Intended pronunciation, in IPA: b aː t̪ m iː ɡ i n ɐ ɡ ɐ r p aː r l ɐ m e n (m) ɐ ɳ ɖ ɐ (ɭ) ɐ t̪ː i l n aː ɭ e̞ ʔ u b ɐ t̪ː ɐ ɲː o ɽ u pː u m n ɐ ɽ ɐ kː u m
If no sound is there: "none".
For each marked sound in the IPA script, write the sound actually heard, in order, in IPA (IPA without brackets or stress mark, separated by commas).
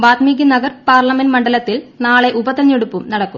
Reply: m, l